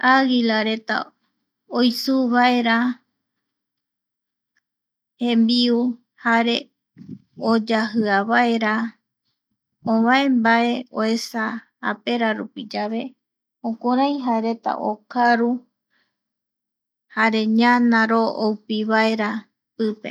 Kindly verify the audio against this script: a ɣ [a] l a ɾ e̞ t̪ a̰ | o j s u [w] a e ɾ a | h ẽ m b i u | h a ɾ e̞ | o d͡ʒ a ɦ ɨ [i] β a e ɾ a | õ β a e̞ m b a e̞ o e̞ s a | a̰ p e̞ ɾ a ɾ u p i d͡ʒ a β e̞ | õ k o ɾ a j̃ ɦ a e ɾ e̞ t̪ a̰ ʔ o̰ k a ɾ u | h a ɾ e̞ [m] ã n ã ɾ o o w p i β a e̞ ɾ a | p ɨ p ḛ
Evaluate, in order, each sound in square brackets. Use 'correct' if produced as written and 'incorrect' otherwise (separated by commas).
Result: incorrect, incorrect, incorrect, incorrect